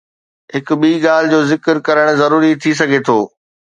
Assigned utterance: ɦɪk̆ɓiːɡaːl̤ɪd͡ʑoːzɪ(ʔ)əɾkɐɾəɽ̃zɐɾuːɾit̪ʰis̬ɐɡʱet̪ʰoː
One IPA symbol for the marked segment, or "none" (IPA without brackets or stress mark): k